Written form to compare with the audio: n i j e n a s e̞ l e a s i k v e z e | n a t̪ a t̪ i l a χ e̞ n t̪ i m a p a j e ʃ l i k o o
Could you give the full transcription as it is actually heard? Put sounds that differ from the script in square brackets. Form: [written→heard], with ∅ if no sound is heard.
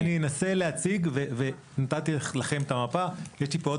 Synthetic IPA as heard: n i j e n a s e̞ l e a [s→t͡s] i [k→ɡ] v e [z→v] e | n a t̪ a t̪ i l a χ e̞ [n→m] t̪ [i→a] m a p a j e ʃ l i [k→p] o o